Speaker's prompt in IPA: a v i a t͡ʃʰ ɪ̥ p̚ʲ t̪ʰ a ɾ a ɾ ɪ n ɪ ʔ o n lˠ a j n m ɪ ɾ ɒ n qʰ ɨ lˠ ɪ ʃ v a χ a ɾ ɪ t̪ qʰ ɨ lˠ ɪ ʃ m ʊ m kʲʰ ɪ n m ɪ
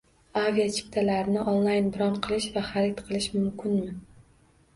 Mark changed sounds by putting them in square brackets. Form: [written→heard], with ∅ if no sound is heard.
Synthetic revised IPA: a v i a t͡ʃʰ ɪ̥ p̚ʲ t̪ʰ a [ɾ→l] a ɾ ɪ n ɪ ʔ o n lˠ a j n [m→b] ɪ ɾ ɒ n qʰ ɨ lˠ ɪ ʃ v a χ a ɾ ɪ t̪ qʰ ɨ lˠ ɪ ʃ m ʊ m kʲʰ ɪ n m ɪ